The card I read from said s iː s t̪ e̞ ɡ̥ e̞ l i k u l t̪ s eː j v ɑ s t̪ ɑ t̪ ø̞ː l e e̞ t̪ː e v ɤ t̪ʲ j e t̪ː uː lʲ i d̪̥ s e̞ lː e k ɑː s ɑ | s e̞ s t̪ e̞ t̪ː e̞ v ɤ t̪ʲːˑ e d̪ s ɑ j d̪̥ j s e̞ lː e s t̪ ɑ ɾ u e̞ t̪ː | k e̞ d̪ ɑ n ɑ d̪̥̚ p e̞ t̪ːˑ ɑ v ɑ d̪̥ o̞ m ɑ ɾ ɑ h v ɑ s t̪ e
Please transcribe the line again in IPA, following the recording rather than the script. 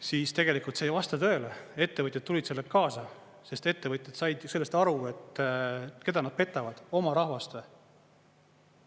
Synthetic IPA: s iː s t̪ e̞ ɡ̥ e̞ l i k u l t̪ s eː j v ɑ s t̪ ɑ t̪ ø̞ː l e e̞ t̪ː e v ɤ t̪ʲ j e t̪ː u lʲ i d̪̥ s e̞ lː e k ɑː s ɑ | s e̞ s t̪ e̞ t̪ː e̞ v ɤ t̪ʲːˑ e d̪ s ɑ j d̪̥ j s e̞ lː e s t̪ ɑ ɾ u e̞ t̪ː | k e̞ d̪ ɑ n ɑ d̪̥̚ p e̞ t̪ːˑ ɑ v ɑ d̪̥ o̞ m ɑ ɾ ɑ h v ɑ s t̪ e